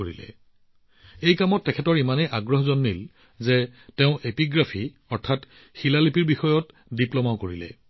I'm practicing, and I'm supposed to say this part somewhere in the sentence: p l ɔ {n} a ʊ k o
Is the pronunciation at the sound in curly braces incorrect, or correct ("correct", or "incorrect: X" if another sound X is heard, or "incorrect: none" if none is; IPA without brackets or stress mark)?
incorrect: m